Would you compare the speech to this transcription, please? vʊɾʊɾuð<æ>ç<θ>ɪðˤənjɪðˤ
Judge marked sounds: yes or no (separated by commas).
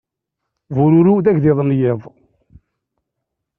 yes, no